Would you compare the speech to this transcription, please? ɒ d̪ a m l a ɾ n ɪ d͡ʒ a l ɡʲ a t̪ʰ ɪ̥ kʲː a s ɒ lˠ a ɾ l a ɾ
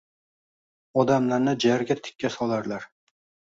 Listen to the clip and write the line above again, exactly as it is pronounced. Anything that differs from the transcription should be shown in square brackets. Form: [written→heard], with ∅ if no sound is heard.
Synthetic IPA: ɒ d̪ a m l a ɾ n ɪ d͡ʒ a [l→ɾ] ɡʲ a t̪ʰ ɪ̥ kʲː a s ɒ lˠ a ɾ l a ɾ